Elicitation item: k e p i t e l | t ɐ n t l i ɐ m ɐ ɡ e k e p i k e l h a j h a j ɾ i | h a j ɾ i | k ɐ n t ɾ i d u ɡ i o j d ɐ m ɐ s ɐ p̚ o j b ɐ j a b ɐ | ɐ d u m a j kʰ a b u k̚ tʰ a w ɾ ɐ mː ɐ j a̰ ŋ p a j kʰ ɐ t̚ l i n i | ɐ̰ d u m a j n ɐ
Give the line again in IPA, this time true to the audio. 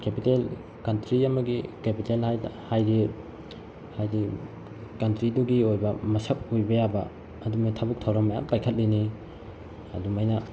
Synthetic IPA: k e p i t e l | k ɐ n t ɾ i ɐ m ɐ ɡ i k e p i t e l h a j h a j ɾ i | h a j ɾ i | k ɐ n t ɾ i d u ɡ i o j b ɐ m ɐ s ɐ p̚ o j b ɐ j a b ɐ | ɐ d u m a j tʰ a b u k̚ tʰ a w ɾ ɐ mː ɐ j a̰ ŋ p a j kʰ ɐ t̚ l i n i | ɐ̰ d u m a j n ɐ